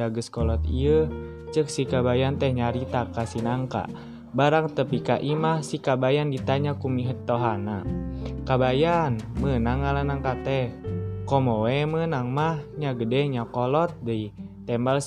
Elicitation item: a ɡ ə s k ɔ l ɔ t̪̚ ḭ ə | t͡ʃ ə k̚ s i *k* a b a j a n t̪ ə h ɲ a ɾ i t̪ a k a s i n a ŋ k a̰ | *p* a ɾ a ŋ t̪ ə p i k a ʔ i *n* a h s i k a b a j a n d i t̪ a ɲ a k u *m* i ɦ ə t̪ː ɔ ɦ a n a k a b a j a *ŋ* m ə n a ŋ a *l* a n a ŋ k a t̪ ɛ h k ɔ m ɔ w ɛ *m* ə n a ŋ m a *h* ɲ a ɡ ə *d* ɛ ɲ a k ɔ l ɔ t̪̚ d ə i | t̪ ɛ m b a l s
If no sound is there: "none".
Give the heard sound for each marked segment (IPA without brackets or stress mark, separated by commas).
k, b, m, m, n, l, m, h, d